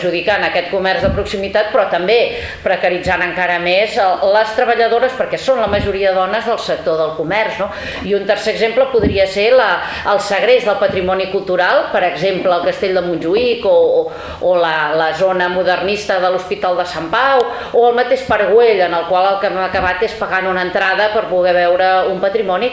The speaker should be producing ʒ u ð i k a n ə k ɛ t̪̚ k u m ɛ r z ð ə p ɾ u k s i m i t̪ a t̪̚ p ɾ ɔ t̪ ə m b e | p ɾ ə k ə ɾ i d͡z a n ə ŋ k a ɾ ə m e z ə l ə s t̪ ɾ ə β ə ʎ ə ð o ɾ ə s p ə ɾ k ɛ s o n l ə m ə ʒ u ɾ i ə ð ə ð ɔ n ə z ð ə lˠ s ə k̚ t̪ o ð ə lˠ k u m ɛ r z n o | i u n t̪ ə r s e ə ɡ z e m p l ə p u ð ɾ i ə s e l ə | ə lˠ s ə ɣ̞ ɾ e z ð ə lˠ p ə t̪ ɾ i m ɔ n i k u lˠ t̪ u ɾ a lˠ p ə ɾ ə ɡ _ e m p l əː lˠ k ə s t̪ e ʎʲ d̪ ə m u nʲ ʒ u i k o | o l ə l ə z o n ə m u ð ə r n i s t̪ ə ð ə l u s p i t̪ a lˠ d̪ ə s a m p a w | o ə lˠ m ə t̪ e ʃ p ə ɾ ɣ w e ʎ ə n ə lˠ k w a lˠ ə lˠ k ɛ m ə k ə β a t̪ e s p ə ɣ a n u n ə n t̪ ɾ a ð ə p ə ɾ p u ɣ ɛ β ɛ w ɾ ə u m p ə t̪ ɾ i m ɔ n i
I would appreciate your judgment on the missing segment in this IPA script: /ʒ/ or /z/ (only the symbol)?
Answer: z